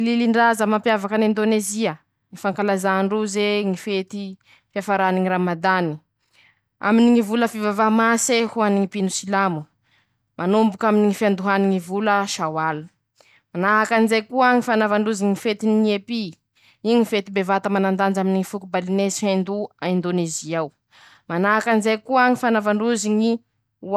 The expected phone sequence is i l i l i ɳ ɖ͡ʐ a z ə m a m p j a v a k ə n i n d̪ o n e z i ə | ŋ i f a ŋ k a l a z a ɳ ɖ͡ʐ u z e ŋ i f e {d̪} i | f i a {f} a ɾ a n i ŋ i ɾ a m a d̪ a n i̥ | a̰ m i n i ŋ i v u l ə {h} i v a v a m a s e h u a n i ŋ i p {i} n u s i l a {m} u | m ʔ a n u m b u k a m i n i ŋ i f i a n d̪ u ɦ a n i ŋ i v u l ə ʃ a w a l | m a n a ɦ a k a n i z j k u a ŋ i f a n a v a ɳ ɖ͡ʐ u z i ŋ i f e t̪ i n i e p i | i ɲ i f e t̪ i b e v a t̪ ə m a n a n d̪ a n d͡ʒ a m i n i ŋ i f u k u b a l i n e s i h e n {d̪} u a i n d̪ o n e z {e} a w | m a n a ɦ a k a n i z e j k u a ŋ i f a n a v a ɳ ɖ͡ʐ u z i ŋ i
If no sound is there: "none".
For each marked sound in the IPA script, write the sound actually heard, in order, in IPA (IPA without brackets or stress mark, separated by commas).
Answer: t̪, f, f, i, m, d̪, i